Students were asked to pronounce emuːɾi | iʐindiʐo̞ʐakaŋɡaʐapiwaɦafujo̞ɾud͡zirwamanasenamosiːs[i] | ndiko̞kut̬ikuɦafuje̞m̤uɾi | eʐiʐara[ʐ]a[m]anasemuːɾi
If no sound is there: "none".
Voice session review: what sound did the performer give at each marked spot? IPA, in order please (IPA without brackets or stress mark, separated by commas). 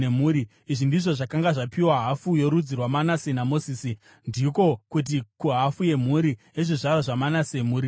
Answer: i, ʐ, m